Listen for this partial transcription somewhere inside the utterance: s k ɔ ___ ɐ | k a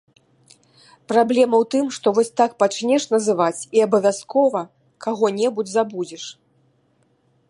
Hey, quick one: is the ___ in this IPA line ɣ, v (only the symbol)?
v